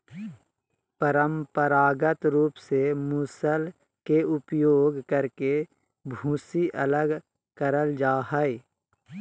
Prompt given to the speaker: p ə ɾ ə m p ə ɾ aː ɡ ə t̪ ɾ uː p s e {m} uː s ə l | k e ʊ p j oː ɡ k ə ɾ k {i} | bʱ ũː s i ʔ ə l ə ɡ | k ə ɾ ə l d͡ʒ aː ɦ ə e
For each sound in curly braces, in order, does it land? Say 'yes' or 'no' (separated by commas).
yes, no